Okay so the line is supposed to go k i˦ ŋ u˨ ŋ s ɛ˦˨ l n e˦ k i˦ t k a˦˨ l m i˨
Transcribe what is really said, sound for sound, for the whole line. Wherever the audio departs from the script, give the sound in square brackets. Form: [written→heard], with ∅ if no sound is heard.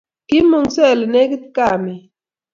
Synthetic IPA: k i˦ [ŋ→m] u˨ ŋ s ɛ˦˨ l n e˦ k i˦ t k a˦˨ [l→∅] m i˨